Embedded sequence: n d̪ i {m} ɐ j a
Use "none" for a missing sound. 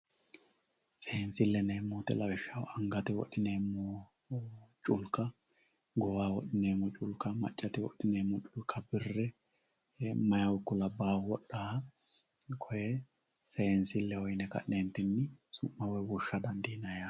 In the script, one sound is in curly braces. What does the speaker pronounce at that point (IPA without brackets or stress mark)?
n